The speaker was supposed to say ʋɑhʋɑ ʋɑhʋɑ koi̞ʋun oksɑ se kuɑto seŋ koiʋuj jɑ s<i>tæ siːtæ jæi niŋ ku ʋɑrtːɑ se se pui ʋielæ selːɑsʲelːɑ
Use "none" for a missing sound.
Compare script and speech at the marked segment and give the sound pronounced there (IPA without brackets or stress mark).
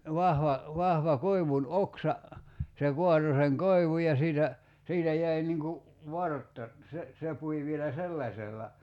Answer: iː